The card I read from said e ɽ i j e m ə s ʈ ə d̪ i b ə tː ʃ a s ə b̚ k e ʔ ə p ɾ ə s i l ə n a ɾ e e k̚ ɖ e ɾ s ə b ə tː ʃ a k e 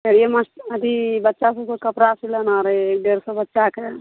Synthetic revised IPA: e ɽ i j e m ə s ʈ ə d̪ i b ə tː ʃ a s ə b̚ k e k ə p ɾ a s i l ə n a ɾ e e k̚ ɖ e ɾ s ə b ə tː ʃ a k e